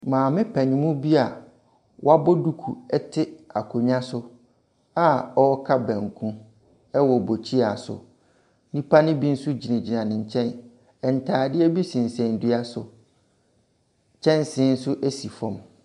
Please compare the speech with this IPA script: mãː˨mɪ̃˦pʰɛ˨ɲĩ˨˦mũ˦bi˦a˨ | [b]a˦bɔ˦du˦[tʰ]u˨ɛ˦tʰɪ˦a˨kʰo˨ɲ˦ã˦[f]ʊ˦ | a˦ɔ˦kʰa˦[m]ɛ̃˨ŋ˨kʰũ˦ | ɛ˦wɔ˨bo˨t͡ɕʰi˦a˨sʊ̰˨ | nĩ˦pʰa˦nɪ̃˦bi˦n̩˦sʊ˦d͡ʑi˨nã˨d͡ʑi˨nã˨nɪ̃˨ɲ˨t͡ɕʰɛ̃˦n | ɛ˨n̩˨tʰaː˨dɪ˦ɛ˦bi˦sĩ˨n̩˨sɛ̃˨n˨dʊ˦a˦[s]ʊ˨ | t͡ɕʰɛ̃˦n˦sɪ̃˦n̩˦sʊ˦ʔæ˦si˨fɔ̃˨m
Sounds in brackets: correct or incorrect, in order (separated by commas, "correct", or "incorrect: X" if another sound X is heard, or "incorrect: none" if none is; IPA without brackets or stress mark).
incorrect: w, incorrect: kʰ, incorrect: s, incorrect: b, correct